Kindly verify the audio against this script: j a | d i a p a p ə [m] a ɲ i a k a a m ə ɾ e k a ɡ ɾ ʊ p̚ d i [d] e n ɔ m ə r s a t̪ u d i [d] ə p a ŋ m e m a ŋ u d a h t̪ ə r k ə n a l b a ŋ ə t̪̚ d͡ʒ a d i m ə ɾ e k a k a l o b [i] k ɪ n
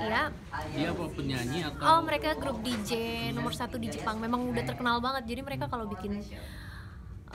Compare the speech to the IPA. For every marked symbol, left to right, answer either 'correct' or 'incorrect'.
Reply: incorrect: ɲ, incorrect: d͡ʒ, incorrect: d͡ʒ, correct

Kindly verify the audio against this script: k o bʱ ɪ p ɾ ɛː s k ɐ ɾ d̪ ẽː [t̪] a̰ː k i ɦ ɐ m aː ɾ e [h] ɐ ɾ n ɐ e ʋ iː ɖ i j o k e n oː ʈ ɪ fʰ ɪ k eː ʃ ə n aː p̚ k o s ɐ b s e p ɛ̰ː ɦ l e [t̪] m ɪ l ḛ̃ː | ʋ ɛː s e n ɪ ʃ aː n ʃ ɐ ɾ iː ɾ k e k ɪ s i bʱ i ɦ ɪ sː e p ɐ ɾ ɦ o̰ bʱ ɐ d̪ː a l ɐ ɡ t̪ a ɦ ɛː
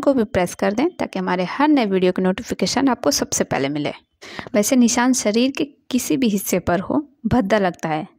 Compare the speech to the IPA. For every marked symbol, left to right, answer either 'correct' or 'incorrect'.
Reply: correct, correct, incorrect: none

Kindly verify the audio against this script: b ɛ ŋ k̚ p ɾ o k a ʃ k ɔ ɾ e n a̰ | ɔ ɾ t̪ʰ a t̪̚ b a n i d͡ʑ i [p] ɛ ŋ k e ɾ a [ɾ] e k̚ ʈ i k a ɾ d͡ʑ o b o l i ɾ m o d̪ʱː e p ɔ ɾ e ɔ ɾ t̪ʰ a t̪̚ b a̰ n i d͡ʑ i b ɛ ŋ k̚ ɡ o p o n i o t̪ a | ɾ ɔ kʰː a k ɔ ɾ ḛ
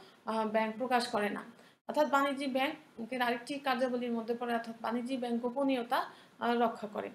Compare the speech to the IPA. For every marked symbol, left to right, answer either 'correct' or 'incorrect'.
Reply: incorrect: b, correct

